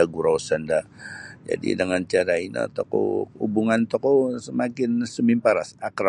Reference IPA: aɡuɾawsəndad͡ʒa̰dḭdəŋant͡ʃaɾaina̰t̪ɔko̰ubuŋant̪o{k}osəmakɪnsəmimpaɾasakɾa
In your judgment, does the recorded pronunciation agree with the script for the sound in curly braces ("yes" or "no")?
yes